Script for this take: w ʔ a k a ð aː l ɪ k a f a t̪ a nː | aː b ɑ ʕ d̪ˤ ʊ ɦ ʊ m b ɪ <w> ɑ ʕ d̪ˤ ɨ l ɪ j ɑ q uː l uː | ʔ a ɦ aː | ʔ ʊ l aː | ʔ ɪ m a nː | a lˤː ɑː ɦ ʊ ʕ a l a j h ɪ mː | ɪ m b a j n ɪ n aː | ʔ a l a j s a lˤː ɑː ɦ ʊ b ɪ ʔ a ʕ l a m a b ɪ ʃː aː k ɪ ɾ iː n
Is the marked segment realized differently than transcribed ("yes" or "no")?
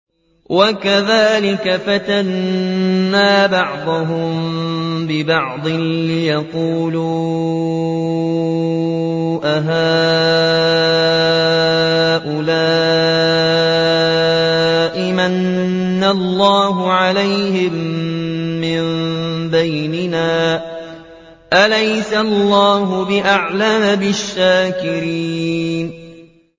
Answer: yes